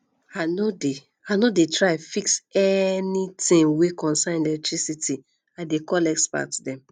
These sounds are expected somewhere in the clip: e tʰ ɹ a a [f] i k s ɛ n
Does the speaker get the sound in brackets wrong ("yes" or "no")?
no